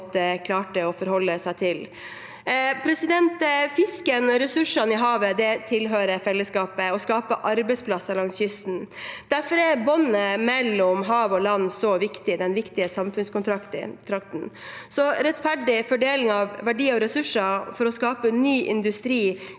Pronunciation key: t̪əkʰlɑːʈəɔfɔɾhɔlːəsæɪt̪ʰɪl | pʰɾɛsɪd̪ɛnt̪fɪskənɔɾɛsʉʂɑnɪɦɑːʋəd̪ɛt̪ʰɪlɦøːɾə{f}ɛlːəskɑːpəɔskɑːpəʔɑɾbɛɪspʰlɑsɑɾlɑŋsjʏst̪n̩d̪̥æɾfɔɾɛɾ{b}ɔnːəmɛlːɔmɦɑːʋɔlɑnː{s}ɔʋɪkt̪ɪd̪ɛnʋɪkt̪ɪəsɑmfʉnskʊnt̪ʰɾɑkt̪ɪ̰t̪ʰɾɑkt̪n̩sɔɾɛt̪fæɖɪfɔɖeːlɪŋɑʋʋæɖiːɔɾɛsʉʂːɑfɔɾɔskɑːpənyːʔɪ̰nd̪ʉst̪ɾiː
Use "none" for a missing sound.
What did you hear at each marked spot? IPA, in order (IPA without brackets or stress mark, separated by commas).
f, b, s